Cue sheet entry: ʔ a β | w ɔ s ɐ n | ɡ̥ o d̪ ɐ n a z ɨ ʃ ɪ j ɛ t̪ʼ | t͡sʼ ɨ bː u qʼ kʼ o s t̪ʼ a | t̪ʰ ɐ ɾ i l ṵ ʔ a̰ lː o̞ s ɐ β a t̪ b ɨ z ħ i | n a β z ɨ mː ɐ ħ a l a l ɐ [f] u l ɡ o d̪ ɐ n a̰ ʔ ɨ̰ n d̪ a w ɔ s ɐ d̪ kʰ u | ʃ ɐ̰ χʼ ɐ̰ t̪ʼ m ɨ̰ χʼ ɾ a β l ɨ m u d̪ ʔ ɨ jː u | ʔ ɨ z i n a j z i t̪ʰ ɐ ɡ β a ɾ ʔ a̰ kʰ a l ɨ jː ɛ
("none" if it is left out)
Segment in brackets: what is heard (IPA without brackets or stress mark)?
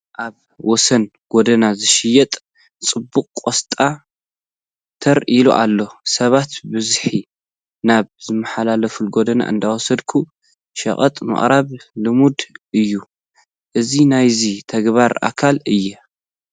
f